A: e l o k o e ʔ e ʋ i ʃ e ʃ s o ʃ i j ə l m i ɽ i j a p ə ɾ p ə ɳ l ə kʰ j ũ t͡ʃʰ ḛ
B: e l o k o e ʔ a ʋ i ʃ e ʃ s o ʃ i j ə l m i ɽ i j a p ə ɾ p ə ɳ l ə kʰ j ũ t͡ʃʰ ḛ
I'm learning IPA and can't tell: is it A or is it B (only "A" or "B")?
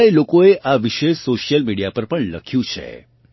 B